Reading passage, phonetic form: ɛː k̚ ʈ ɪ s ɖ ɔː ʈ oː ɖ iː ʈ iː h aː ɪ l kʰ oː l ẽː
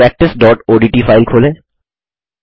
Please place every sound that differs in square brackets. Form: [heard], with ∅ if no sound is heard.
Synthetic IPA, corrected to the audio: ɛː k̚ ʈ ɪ s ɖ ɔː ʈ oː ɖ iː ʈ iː [f] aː ɪ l kʰ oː l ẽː